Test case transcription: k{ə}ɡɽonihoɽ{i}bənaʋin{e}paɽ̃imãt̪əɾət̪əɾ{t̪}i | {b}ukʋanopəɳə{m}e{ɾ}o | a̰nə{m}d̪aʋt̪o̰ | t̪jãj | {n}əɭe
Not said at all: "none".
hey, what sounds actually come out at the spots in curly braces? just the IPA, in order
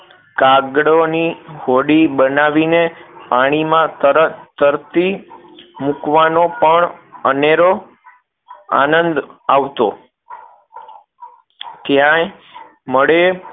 a, i, e, t̪, m, n, ɾ, n, m

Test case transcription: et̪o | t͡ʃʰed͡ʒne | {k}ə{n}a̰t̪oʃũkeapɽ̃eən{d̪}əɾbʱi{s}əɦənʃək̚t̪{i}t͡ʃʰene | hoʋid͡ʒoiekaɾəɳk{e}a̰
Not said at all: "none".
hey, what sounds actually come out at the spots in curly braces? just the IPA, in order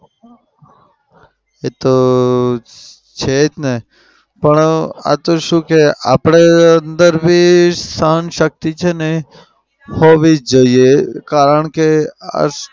p, ɳ, d̪, s, i, e

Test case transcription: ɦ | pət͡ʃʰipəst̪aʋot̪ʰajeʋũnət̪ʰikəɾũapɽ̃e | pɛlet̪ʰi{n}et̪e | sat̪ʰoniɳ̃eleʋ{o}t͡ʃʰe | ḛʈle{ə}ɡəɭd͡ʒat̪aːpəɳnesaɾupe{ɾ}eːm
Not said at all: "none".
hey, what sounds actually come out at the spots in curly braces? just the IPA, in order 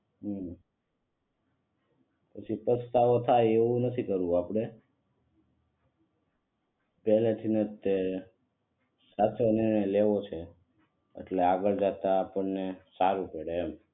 n, o, a, ɽ

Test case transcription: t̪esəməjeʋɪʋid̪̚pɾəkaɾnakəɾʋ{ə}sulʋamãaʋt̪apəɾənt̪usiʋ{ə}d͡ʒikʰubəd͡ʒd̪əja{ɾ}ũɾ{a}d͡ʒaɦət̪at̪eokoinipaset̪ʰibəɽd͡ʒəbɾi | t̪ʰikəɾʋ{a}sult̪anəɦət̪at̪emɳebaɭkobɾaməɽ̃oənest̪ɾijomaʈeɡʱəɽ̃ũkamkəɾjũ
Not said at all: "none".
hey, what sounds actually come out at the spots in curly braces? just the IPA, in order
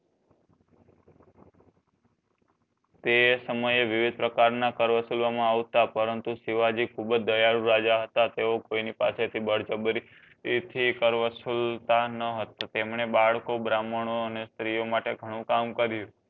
ə, a, ɾ, a, ə

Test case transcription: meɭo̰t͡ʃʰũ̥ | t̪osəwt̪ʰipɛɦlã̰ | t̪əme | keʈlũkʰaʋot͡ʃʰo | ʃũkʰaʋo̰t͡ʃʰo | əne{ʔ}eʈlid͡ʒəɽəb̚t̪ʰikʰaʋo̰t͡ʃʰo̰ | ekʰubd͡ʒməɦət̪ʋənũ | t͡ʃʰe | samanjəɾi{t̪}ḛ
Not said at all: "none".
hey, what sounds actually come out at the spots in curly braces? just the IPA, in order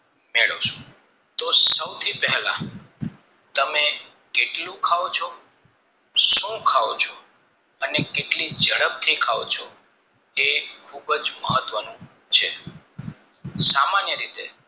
k, t̪

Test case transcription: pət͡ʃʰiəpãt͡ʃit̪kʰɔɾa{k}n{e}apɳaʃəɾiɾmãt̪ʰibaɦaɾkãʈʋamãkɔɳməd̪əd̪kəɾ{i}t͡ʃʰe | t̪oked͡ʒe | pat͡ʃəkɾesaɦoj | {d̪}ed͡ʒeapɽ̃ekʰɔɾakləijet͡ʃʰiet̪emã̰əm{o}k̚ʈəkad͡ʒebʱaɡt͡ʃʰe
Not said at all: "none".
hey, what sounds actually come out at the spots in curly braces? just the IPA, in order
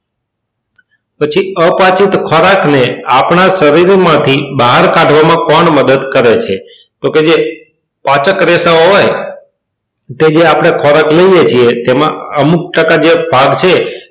k, e, e, t̪, u

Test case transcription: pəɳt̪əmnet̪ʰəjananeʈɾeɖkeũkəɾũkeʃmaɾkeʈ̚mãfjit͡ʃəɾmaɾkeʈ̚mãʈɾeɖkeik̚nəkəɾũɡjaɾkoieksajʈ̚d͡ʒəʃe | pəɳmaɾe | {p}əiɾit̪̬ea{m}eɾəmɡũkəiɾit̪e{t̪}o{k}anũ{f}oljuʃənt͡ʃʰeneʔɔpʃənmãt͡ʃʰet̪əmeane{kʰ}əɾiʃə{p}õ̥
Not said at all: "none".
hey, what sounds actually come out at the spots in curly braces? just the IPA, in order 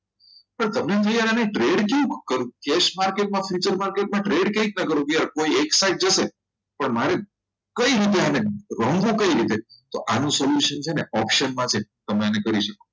k, n, t̪, ʔ, s, k, k

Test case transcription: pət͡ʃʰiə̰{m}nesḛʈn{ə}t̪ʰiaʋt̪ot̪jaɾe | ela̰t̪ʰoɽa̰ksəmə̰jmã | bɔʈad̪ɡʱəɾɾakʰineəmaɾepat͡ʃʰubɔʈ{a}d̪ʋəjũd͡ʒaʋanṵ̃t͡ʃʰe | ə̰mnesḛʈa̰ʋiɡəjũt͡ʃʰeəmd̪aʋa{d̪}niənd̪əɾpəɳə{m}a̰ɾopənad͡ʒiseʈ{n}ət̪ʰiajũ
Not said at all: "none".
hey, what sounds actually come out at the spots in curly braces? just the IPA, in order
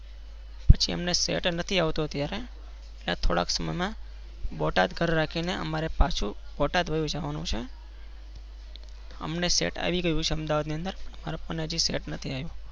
m, ə, a, d̪, m, n

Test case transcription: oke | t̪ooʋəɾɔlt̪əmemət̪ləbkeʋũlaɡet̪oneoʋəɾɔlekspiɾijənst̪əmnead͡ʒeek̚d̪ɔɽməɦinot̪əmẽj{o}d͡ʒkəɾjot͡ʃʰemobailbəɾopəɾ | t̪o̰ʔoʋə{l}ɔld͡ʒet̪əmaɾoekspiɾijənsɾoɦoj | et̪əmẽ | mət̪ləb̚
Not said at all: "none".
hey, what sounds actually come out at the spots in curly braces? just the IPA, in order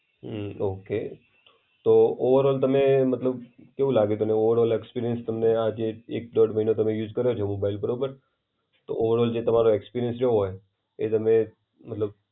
u, ɾ

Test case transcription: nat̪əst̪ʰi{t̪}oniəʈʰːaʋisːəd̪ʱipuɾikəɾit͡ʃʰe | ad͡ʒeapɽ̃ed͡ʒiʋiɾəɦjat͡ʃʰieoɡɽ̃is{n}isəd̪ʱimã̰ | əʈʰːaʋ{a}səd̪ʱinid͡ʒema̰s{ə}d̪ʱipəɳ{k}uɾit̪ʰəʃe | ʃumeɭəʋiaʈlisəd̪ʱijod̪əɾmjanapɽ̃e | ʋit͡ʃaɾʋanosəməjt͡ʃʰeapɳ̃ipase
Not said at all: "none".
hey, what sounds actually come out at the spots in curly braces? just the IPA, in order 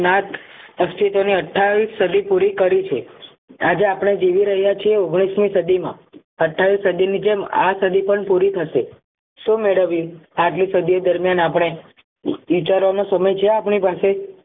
t̪, m, i, ə, p

